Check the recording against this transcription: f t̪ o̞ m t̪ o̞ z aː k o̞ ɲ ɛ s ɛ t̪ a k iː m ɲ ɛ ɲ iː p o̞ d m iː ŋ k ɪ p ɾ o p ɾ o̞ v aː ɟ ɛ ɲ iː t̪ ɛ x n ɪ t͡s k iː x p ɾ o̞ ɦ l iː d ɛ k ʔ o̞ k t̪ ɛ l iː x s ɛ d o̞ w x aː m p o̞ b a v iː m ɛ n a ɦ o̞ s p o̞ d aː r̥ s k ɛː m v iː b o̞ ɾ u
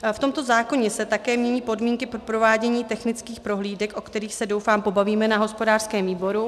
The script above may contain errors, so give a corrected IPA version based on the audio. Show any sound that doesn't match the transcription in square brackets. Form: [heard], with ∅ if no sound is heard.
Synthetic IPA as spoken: f t̪ o̞ m t̪ o̞ z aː k o̞ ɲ ɛ s ɛ t̪ a k [ɛː] m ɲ ɛ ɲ iː p o̞ d m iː ŋ k ɪ p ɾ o p ɾ o̞ v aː ɟ ɛ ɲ iː t̪ ɛ x n ɪ t͡s k iː x p ɾ o̞ ɦ l iː d ɛ k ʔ o̞ k t̪ ɛ [ɾ] iː x s ɛ d o̞ w [f] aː m p o̞ b a v iː m ɛ n a ɦ o̞ s p o̞ d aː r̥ s k ɛː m v iː b o̞ ɾ u